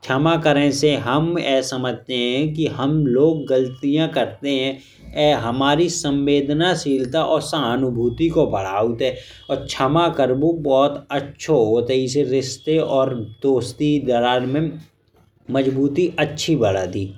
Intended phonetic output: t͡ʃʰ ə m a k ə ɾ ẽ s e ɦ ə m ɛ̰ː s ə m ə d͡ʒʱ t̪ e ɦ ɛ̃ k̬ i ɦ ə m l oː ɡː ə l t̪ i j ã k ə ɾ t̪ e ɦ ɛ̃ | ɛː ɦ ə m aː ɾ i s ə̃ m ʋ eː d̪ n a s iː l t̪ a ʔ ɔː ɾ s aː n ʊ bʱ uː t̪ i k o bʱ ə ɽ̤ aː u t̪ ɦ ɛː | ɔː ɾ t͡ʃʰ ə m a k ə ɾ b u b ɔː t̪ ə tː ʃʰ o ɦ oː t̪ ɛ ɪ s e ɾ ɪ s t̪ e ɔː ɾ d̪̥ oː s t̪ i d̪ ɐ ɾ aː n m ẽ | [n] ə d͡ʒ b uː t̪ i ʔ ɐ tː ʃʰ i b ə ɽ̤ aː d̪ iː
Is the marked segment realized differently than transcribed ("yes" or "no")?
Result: yes